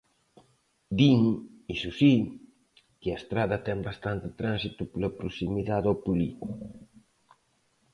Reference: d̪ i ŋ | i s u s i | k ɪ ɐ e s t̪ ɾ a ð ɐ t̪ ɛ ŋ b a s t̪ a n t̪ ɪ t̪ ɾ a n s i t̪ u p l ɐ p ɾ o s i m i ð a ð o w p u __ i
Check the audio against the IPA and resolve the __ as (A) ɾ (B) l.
B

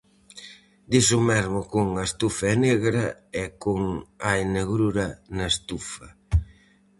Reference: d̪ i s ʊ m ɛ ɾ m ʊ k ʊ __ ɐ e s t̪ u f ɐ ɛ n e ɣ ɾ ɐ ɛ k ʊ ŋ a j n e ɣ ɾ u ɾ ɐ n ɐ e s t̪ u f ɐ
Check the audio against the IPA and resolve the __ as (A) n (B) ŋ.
B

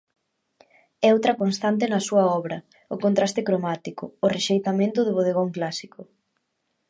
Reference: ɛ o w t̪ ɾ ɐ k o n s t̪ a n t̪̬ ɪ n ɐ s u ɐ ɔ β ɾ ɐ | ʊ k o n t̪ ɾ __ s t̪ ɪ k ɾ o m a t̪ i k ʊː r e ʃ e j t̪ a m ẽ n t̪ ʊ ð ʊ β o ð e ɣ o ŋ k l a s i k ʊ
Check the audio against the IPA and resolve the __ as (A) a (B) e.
A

